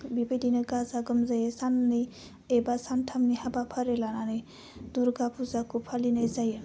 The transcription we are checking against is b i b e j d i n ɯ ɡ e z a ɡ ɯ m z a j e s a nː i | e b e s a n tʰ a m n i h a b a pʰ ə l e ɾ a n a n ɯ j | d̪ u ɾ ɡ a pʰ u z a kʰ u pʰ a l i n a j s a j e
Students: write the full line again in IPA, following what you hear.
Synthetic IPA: b i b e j d i n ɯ ɡ a z a ɡ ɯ m z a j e s a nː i | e b a s a n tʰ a m n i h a b a pʰ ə ɾ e l a n a n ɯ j | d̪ u ɾ ɡ a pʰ u z a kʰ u pʰ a l i n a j z a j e